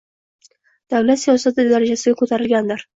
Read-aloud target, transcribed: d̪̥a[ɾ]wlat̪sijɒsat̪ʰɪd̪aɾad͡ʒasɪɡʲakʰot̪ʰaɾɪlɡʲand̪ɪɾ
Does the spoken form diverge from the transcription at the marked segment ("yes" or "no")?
yes